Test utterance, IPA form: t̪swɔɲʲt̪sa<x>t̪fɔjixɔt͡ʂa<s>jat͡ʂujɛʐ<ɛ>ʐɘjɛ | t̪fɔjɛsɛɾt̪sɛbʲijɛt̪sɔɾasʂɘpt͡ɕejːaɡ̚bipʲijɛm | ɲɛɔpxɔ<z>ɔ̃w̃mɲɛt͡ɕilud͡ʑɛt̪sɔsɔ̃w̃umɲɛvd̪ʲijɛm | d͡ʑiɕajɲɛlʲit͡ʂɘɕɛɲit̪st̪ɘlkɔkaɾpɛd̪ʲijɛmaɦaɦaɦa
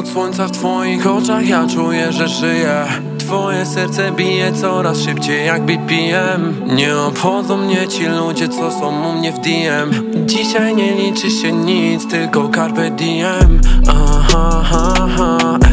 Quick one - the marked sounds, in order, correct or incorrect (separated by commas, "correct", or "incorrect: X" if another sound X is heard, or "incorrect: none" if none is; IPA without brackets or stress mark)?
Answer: incorrect: f, incorrect: x, correct, correct